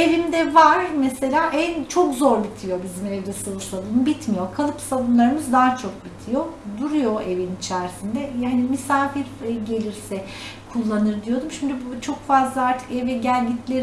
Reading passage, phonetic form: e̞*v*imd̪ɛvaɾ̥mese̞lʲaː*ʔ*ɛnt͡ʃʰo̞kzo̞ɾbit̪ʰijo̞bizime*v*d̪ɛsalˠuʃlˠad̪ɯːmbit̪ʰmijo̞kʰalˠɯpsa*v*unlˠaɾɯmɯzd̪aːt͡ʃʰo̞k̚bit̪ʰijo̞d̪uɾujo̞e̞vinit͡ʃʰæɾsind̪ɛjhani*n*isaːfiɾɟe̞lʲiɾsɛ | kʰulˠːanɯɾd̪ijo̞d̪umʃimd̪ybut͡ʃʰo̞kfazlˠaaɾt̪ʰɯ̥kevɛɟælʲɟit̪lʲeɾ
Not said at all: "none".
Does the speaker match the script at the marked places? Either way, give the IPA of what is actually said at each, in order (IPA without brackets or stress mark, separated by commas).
v, ʔ, v, b, m